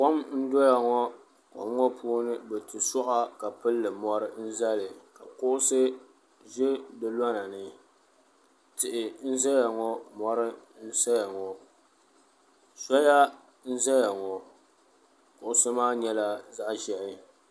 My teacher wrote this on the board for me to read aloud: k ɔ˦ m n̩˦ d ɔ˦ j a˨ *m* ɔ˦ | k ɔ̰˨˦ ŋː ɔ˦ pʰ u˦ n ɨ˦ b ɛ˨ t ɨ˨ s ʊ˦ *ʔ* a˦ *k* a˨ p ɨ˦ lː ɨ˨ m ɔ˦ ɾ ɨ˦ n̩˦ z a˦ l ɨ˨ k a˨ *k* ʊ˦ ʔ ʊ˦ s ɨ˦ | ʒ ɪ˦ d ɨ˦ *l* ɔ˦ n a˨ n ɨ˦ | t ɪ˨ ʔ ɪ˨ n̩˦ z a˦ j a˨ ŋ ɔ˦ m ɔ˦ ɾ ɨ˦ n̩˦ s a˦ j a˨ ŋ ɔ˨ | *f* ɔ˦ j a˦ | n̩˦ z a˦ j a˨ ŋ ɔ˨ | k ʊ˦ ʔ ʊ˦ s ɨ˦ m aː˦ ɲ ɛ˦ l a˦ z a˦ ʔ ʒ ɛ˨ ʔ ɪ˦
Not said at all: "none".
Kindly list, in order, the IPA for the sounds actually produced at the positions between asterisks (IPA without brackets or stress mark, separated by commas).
ŋ, ʔ, k, k, l, s